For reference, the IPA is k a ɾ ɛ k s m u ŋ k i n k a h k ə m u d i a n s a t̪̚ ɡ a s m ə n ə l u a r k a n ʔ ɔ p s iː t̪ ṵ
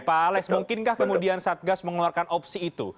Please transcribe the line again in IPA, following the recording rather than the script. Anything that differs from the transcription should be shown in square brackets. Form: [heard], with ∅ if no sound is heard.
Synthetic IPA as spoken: [p] a [l] ɛ k s m u ŋ k [ɪ] n k a h k ə m u d i a n s a t̪̚ ɡ a s m ə [ŋ] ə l u a r k a n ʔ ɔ p s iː t̪ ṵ